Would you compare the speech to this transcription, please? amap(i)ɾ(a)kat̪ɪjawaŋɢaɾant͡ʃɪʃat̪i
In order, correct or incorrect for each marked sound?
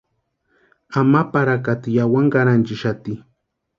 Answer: incorrect, correct

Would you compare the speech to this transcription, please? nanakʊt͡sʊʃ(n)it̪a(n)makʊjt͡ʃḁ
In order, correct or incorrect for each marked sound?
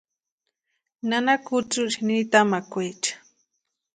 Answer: correct, incorrect

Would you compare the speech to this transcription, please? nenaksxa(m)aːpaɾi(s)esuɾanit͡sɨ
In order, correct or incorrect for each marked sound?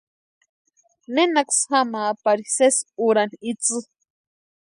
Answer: correct, correct

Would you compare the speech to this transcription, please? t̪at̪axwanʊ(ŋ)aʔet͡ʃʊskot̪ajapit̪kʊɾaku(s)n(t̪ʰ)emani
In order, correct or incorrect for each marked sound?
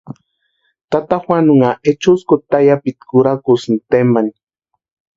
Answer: correct, correct, incorrect

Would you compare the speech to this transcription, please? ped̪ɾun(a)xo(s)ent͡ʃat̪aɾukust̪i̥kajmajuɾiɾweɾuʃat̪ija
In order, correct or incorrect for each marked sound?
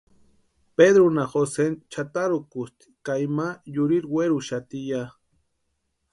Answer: correct, correct

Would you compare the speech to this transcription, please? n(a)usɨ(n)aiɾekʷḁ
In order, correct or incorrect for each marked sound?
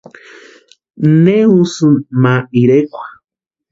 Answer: incorrect, incorrect

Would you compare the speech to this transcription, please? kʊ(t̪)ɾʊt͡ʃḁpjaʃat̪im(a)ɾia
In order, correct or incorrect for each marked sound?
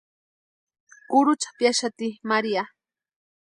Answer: incorrect, correct

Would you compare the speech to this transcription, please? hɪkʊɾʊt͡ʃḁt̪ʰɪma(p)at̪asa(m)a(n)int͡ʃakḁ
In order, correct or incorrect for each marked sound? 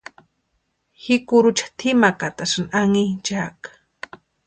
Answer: incorrect, incorrect, incorrect

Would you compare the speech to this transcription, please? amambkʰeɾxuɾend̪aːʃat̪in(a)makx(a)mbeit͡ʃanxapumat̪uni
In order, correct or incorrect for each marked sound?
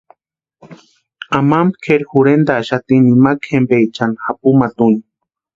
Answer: incorrect, incorrect

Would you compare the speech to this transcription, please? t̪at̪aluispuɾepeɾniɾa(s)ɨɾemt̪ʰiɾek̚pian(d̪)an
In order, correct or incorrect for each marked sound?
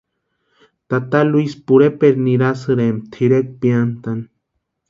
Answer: correct, incorrect

